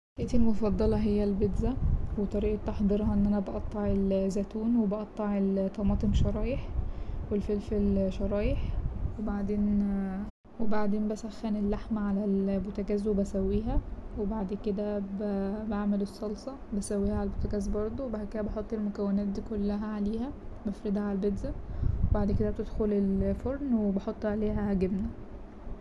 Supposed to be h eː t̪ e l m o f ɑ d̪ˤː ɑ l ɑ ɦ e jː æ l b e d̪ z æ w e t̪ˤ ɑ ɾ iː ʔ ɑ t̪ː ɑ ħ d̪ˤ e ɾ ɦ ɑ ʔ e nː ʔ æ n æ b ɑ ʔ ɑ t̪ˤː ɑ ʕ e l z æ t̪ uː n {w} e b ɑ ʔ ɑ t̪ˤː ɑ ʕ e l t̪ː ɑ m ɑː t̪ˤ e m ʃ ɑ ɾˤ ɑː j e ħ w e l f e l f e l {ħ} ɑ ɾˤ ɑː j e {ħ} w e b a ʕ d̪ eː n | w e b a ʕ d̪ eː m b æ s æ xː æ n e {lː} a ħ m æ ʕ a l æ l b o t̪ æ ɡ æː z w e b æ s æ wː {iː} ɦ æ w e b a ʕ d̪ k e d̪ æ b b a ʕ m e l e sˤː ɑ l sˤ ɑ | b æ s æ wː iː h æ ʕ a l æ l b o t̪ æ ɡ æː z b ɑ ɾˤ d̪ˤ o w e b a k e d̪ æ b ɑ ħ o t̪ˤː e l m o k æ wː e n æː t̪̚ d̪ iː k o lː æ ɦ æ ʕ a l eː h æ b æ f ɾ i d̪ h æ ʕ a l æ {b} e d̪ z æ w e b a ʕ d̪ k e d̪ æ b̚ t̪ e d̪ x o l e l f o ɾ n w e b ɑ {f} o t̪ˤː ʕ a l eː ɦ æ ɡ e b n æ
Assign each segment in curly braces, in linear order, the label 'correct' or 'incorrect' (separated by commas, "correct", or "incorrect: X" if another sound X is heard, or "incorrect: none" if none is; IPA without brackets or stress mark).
correct, incorrect: ʃ, correct, correct, correct, correct, incorrect: ħ